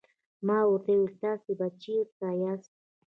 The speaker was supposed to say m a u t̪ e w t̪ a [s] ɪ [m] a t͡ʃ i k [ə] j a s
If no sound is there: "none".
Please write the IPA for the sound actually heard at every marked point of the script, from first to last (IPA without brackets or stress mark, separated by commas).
s, b, a